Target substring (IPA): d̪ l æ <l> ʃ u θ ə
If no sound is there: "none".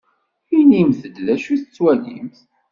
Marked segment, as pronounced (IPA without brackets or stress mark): none